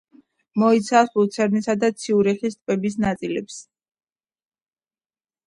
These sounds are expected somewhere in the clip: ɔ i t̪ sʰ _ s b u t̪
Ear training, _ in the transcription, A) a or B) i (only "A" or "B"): A